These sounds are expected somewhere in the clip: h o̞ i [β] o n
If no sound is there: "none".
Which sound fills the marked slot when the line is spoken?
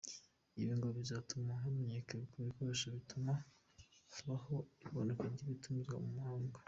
β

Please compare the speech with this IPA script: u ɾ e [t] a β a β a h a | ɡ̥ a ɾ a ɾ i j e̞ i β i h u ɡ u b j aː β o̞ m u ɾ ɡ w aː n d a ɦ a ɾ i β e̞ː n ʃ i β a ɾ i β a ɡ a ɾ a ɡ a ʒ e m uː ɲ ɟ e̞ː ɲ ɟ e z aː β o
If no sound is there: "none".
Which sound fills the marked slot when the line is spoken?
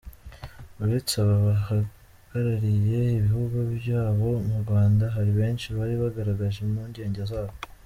t͡s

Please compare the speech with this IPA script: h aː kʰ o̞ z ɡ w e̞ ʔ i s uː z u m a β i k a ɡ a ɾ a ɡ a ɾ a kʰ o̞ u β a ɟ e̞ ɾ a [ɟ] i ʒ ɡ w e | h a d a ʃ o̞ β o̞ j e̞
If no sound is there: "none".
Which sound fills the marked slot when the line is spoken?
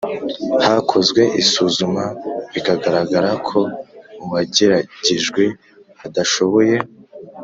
ɟ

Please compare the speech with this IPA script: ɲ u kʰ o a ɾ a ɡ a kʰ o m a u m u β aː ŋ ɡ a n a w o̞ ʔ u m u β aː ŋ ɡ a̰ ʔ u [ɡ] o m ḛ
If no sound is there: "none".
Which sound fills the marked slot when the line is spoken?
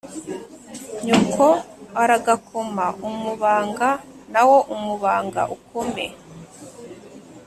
k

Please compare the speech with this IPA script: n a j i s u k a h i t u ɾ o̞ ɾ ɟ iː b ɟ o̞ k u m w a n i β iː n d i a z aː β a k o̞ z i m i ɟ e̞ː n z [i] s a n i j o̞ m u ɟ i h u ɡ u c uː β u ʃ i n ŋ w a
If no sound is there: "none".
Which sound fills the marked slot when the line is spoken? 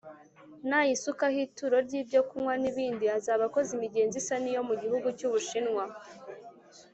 i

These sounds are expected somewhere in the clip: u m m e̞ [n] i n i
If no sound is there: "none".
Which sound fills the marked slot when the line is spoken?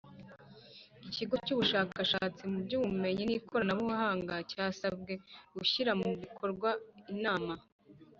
ɲ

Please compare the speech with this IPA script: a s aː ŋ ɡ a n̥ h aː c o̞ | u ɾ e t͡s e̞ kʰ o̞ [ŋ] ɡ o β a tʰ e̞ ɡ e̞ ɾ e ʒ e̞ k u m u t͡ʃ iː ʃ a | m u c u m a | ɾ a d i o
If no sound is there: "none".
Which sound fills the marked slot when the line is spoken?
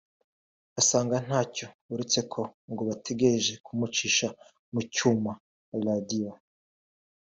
ŋ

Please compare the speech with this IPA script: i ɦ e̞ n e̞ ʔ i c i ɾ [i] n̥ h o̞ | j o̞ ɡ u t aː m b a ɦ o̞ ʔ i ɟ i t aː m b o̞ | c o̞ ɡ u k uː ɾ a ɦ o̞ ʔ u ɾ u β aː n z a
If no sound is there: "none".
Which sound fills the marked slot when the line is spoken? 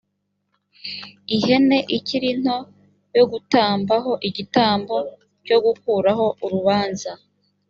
i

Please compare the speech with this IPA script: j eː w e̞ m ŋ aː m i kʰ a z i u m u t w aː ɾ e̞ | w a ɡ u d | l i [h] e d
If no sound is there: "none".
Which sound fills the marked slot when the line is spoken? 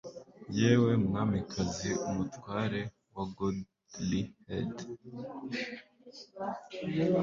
h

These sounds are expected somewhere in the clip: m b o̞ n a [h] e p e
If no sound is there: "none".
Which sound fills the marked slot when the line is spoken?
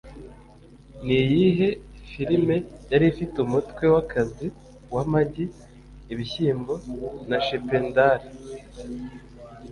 ʃ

